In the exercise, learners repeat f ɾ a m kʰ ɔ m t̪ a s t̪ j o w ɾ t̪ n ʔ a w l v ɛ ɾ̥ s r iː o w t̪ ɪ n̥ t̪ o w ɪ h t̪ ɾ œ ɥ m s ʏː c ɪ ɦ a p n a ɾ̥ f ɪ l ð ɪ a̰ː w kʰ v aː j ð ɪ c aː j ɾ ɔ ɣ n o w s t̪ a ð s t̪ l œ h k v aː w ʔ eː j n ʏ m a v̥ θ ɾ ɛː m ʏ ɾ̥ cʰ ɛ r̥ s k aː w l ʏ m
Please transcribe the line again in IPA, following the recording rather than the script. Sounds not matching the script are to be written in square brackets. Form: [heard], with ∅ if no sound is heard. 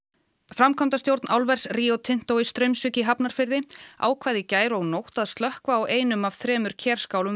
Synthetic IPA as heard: f ɾ a m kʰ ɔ m t̪ a s t̪ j o w ɾ t̪ n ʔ a w l v ɛ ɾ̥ s r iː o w [t̪ʰ] ɪ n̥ t̪ o w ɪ [s] t̪ ɾ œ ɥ m s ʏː c ɪ ɦ a p n a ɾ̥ f ɪ [ɾ] ð ɪ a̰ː w kʰ v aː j ð ɪ c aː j ɾ ɔ ɣ n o w [h] t̪ a ð s t̪ l œ h k v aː w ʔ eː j n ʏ m a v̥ θ ɾ ɛː m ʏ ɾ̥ cʰ ɛ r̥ s k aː w l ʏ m